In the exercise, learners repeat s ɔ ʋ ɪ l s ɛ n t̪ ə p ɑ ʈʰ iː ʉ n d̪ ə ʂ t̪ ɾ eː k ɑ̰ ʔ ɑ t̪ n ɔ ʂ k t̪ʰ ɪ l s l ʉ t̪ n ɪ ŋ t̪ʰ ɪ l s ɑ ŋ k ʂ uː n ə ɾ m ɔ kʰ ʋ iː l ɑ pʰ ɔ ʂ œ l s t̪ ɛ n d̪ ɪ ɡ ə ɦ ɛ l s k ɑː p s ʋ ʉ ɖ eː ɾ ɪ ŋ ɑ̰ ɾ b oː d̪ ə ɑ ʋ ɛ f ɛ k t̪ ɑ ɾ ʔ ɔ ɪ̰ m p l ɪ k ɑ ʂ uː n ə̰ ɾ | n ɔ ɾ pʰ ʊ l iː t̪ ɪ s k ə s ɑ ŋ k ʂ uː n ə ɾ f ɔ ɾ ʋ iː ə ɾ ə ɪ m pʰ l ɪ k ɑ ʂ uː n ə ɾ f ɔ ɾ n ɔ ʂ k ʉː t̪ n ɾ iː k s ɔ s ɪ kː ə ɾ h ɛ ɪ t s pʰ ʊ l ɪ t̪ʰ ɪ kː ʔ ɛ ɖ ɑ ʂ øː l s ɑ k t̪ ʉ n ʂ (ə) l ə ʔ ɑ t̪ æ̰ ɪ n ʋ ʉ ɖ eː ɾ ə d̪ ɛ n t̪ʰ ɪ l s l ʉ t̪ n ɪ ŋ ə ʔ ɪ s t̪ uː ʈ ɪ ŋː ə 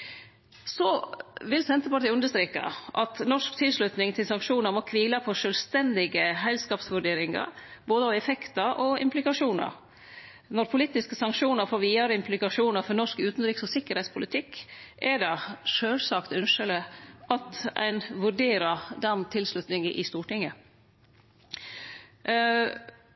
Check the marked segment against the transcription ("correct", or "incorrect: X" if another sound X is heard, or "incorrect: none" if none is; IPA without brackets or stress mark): correct